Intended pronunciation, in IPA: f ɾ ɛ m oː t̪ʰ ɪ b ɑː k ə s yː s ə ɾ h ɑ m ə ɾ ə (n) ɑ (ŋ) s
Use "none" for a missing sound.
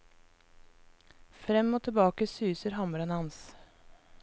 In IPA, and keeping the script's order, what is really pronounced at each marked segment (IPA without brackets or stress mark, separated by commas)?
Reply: n, n